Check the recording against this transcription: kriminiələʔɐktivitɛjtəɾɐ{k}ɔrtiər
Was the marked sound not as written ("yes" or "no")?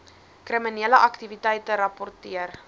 yes